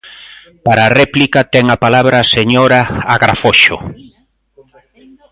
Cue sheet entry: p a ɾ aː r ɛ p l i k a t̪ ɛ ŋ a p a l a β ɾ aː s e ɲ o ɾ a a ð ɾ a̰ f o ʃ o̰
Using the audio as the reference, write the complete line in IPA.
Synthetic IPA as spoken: p a ɾ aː r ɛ p l i k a t̪ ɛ ŋ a p a l a β ɾ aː s e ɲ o ɾ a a ɣ ɾ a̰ f o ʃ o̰